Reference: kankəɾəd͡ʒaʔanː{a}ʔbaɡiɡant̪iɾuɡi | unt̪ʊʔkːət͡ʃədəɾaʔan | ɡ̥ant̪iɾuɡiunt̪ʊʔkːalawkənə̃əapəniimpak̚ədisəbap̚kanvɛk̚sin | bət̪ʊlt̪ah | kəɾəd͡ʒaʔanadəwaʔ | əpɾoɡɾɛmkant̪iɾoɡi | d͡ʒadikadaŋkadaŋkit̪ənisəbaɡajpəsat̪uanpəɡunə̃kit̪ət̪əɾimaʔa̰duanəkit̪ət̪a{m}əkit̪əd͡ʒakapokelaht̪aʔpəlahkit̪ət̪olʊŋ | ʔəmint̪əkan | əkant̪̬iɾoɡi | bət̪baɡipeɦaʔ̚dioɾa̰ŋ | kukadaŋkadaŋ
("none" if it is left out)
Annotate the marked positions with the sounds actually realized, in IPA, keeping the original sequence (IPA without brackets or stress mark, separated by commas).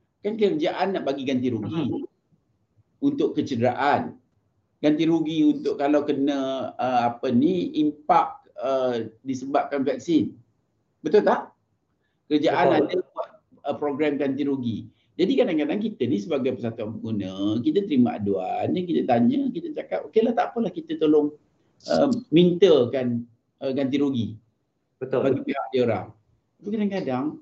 a, ɲ